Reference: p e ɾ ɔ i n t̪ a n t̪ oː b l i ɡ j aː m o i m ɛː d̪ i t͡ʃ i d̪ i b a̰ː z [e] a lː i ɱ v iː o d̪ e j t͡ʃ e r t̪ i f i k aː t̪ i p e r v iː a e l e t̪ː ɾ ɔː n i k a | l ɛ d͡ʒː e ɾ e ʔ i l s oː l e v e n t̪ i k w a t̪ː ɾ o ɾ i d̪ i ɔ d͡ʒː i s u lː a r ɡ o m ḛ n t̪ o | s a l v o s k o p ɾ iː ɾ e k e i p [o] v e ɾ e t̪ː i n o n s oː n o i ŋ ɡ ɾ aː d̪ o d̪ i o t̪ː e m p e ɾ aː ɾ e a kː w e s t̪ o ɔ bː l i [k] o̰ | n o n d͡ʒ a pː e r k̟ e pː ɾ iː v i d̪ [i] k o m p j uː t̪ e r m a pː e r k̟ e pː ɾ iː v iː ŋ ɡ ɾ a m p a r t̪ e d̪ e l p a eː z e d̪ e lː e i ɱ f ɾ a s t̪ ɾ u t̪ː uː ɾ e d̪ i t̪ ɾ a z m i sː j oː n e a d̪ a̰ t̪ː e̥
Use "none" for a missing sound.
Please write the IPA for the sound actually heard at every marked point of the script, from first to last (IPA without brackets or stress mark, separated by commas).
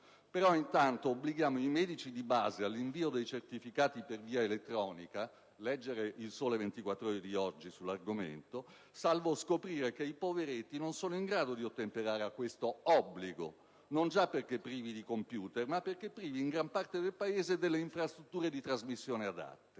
e, o, ɡ, i